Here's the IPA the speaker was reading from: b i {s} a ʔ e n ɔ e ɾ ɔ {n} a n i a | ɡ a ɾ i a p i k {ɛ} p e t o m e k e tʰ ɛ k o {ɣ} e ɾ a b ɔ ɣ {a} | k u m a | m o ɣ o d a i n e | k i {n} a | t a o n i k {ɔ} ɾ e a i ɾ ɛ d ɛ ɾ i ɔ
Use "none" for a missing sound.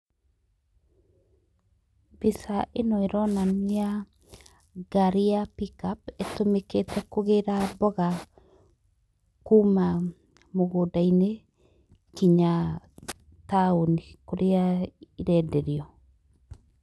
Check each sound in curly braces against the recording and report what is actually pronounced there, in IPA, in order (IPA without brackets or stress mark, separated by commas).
s, n, a, ɣ, a, ɲ, o